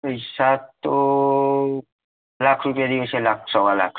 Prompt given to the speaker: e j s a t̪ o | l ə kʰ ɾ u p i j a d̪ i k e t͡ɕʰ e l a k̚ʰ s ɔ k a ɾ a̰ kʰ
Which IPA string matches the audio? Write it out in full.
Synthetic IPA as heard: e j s a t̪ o | l a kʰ ɾ u p i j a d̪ i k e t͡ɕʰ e l a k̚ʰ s ɔ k a l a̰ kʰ